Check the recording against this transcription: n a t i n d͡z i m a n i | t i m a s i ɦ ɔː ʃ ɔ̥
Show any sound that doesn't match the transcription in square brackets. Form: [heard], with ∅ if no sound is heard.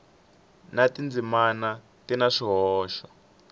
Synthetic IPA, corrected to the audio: n a t i n d͡z i m a n [a] | t i [n] a [ʂ] i ɦ ɔː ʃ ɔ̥